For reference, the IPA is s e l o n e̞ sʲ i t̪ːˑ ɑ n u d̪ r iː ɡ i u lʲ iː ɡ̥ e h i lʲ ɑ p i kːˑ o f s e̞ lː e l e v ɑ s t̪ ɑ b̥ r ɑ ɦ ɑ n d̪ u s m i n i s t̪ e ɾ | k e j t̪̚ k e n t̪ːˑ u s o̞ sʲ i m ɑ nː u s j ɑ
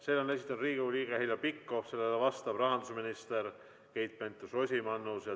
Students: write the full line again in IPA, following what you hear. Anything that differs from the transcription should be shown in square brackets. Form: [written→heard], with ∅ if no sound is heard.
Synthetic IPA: s e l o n e̞ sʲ i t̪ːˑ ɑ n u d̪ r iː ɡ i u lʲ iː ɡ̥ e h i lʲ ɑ p i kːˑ o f s e̞ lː e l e v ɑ s t̪ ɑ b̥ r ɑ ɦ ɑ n d̪ u s m i n i s t̪ e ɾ | k e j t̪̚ [k→p] e n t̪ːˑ u s o̞ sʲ i m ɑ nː u s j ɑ